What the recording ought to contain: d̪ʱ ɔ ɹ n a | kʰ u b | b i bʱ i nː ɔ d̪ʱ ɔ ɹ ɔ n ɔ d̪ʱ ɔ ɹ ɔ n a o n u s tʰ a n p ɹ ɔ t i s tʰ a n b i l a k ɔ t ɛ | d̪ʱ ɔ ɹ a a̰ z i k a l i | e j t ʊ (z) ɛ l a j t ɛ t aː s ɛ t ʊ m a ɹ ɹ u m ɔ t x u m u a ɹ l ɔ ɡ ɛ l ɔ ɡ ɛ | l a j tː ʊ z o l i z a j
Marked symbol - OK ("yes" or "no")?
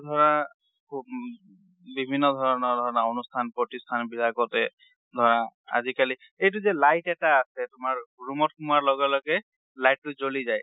yes